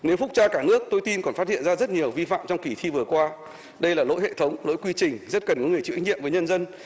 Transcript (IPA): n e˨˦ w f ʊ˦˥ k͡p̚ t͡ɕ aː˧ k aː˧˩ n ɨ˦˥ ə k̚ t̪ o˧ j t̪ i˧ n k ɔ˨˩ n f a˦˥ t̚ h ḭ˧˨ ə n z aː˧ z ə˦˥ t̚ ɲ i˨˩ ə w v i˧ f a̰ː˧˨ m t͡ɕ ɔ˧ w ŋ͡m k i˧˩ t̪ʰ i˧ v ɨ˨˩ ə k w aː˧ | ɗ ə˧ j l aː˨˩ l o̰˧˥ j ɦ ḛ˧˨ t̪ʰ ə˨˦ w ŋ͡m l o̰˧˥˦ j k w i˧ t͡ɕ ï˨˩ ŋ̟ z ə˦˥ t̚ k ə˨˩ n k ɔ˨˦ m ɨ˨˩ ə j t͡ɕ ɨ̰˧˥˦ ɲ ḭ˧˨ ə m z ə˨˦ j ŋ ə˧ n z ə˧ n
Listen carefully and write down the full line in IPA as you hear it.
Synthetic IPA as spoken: n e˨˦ w f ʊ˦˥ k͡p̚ t͡ɕ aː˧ k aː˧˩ n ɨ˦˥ ə k̚ t̪ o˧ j t̪ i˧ n k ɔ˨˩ n f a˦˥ t̚ h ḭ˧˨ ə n z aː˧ z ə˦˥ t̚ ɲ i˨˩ ə w v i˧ f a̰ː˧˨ m t͡ɕ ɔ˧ w ŋ͡m k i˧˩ t̪ʰ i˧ v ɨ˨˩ ə k w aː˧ | ɗ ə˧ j l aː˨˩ l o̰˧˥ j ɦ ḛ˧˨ t̪ʰ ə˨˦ w ŋ͡m l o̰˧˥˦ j k w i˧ t͡ɕ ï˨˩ ŋ̟ z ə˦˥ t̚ k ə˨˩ n k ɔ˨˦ ŋ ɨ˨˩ ə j t͡ɕ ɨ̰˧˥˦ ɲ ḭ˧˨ ə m v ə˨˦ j ɲ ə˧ n z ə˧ n